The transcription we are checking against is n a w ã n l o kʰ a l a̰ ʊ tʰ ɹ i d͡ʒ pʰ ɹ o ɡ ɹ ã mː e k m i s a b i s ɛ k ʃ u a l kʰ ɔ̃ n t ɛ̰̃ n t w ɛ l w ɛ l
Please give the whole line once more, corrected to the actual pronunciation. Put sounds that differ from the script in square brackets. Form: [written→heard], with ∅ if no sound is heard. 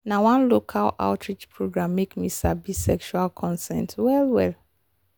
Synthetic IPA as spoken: n a w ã n l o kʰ a l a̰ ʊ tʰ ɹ i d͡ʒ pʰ ɹ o ɡ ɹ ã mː e k m i s a b i s ɛ k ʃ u a l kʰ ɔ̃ n [t→s] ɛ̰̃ n t w ɛ l w ɛ l